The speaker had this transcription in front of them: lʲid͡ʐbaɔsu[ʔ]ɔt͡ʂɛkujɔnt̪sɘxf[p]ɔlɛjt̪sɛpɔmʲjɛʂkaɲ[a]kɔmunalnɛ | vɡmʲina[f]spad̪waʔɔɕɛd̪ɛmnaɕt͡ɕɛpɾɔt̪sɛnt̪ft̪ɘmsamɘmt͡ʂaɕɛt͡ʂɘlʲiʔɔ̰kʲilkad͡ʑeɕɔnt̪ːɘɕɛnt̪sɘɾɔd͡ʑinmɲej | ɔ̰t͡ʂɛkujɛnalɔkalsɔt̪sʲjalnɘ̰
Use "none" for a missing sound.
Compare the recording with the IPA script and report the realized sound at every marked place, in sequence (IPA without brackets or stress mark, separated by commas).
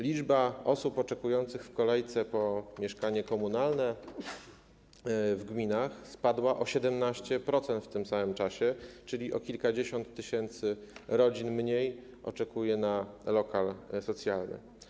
p, k, ɛ, x